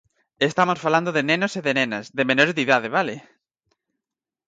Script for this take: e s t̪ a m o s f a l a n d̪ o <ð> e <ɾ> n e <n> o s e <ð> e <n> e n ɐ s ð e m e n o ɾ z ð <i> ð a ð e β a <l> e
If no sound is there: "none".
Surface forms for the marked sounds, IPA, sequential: ð, none, n, ð, n, i, l

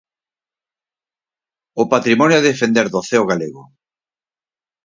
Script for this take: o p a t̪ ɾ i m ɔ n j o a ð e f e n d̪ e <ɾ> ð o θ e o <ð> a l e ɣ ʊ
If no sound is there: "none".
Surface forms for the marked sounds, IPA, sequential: ɾ, ɣ

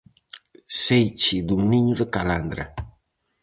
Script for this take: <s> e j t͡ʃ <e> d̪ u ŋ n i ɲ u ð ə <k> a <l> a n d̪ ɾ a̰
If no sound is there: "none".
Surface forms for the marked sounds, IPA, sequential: s, i, k, l

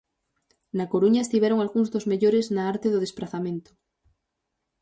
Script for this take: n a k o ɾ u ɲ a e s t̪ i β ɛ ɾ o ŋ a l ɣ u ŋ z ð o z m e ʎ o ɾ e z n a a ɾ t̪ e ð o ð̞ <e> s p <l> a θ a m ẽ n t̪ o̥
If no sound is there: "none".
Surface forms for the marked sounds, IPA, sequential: e, ɾ

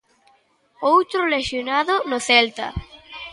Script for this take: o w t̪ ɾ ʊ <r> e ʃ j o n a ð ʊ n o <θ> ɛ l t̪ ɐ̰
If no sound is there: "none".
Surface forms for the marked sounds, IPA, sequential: l, θ

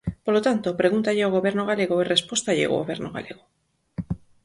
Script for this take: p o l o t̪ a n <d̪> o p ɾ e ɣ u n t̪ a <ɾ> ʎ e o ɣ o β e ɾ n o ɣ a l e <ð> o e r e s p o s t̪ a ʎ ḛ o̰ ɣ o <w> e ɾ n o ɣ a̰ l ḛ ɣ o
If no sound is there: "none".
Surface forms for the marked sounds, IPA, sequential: t̪, none, ɣ, β

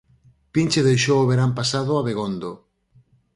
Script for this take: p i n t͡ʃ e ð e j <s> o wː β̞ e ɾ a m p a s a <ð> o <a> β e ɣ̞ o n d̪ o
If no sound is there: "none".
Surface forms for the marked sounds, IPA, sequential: ʃ, ð, a

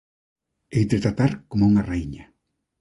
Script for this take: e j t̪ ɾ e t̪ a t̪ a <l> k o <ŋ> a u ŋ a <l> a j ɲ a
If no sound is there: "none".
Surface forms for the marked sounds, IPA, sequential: ɾ, m, r

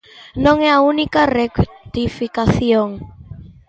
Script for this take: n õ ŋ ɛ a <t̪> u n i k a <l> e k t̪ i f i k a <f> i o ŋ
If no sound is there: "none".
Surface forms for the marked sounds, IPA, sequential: none, r, θ

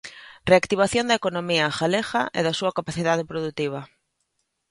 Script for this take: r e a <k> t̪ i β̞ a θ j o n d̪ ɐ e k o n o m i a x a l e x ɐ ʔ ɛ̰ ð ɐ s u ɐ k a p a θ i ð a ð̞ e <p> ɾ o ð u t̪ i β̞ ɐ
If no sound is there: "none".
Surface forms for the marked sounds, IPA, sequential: k, p

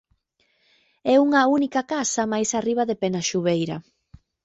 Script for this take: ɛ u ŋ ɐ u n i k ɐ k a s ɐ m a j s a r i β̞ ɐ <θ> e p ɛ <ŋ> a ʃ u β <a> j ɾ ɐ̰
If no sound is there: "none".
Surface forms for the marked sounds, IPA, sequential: ð, n, e

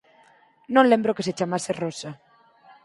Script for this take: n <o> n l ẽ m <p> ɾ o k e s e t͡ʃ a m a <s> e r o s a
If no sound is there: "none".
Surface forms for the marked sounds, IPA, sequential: õ, b, s

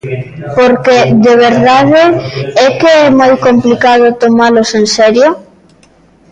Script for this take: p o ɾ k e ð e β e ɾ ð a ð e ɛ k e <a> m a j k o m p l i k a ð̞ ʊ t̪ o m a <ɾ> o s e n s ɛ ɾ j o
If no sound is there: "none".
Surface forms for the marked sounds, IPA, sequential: ɛ, l

